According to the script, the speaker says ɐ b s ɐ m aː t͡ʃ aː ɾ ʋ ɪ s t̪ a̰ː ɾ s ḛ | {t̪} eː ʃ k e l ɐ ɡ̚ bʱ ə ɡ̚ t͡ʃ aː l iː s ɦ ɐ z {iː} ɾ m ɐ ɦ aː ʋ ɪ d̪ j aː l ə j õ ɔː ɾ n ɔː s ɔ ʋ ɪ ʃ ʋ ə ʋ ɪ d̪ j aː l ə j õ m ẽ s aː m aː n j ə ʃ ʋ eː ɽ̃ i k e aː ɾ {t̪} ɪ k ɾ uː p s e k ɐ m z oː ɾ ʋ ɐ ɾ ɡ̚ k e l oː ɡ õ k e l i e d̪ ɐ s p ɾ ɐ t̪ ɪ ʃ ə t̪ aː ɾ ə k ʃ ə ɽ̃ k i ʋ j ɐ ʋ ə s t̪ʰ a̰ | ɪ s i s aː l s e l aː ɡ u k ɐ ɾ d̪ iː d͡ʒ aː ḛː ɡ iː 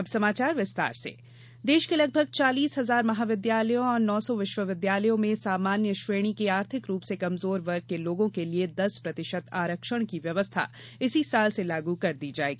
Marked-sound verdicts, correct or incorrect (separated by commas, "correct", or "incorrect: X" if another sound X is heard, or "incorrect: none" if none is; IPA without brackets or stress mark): incorrect: d̪, incorrect: aː, incorrect: t̪ʰ